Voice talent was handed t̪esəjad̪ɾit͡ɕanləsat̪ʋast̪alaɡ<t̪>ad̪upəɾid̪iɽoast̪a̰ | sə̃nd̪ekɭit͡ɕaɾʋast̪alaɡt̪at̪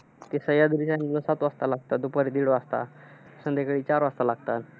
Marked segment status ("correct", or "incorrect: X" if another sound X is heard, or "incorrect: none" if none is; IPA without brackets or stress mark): correct